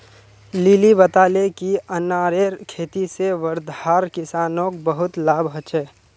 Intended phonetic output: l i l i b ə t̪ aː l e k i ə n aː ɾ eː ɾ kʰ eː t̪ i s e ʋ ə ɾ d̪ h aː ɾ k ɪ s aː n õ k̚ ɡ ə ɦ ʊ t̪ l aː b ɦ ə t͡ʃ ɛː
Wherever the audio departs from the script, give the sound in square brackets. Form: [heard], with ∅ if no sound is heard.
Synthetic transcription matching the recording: l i l i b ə t̪ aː l e k i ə n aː ɾ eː ɾ kʰ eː t̪ i s e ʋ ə ɾ d̪ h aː ɾ k ɪ s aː n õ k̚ [b] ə ɦ ʊ t̪ l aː b ɦ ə t͡ʃ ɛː